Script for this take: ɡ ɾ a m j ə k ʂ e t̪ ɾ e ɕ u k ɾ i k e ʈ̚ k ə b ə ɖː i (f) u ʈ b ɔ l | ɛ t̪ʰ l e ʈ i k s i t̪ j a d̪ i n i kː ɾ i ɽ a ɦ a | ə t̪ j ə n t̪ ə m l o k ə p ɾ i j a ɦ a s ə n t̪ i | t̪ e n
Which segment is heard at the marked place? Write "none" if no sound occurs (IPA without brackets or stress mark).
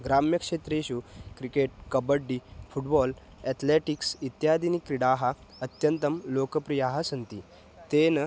f